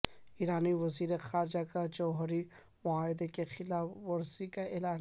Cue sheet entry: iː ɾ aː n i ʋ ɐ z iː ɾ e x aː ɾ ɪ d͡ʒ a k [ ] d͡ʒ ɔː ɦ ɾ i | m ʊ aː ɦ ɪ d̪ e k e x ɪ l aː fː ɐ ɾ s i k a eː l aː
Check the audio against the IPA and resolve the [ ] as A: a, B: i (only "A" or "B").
A